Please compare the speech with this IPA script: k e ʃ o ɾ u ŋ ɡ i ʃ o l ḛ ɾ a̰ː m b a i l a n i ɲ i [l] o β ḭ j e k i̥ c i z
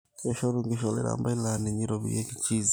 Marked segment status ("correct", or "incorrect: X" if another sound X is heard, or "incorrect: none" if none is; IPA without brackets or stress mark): incorrect: ɾ